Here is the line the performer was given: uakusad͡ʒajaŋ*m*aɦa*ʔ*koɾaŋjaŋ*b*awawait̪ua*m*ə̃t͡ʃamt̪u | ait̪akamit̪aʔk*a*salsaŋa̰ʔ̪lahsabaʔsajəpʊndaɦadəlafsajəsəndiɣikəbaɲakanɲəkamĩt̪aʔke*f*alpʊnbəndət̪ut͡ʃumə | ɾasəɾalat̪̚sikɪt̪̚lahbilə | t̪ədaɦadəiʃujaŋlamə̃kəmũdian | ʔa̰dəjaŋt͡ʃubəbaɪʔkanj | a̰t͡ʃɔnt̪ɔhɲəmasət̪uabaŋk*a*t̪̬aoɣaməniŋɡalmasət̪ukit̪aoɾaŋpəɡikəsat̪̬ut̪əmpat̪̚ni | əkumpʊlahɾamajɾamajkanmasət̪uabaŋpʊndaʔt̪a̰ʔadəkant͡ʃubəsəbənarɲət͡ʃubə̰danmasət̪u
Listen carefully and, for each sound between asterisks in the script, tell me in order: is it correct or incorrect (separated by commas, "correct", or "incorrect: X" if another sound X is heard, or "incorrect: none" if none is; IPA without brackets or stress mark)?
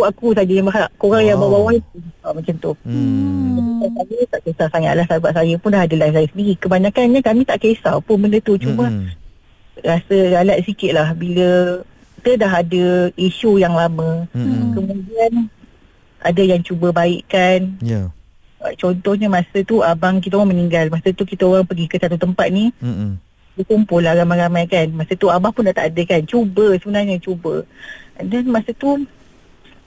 incorrect: b, correct, correct, correct, incorrect: e, incorrect: s, incorrect: i